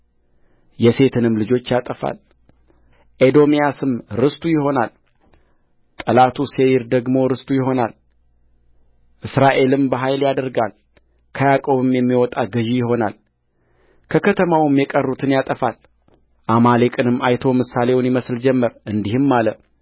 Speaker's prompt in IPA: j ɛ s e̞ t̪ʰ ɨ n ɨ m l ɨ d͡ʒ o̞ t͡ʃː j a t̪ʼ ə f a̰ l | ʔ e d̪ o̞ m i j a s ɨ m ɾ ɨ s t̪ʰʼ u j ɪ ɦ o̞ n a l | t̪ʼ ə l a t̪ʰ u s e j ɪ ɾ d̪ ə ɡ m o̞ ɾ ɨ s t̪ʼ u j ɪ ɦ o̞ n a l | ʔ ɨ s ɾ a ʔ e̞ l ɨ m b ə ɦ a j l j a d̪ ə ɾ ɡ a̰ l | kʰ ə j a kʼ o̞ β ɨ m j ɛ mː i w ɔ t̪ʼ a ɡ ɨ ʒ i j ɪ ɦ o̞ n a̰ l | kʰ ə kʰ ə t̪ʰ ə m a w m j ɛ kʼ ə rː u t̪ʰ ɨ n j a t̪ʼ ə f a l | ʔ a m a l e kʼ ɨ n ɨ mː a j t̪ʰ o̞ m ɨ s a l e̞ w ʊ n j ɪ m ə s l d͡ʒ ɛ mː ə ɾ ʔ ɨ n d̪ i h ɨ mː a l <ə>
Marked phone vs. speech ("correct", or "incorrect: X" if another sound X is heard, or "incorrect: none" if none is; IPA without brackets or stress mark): correct